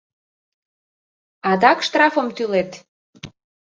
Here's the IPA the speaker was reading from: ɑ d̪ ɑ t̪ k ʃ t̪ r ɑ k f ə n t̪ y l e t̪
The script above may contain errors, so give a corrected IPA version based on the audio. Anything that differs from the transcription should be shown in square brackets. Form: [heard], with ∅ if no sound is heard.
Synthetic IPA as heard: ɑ d̪ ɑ [∅] k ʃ t̪ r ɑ [∅] f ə [m] t̪ y l e t̪